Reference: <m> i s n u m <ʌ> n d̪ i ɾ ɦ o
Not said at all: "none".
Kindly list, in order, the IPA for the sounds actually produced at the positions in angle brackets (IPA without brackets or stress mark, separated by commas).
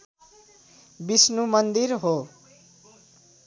b, ʌ